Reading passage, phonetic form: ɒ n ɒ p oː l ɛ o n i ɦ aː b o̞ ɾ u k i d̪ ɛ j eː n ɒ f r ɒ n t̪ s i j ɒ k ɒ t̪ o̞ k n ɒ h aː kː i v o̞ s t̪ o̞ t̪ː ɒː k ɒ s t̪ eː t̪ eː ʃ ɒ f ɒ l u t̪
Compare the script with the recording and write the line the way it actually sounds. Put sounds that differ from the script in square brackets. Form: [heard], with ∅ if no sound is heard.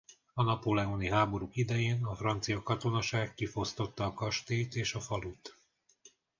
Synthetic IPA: ɒ n ɒ p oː l ɛ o n i ɦ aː b o̞ ɾ u k i d̪ ɛ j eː n ɒ f r ɒ n t̪ s i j ɒ k ɒ t̪ o̞ [∅] n ɒ [ʃ] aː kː i [f] o̞ s t̪ o̞ t̪ː ɒː k ɒ [ʃ] t̪ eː t̪ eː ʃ ɒ f ɒ l u t̪